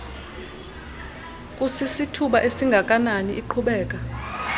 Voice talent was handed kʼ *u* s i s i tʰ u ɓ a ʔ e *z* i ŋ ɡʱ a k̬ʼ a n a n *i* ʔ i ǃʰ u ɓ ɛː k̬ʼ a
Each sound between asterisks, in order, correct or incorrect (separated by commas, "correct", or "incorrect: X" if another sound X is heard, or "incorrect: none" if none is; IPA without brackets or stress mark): correct, incorrect: s, correct